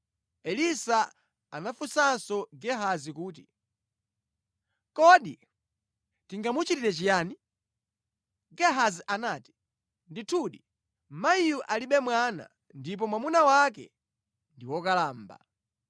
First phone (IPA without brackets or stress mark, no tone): ɛ